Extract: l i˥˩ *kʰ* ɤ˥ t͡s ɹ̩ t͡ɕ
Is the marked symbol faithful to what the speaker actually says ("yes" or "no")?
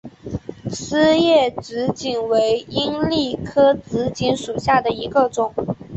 yes